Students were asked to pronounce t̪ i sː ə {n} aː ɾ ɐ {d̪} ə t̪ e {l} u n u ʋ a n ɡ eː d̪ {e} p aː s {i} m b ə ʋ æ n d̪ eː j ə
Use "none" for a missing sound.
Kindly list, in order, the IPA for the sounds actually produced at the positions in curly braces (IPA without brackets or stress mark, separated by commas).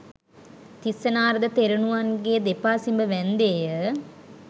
n, d̪, ɾ, e, i